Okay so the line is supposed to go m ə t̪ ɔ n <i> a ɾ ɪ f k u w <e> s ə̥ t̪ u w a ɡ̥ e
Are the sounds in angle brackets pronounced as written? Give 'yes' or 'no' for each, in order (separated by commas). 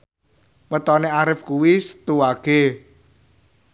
no, no